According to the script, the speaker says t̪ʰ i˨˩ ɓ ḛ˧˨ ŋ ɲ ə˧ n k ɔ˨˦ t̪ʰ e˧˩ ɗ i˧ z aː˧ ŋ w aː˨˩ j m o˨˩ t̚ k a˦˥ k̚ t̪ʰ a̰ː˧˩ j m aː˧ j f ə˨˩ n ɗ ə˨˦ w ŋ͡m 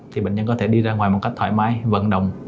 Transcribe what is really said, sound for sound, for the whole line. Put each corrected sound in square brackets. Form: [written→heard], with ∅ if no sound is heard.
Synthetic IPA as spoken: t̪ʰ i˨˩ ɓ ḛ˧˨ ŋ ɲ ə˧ n k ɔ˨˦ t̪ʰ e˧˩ ɗ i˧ z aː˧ ŋ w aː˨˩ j m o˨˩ t̚ k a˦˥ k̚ t̪ʰ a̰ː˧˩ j m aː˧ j [f→v] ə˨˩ n ɗ [ə˨˦→ə˨˩] w ŋ͡m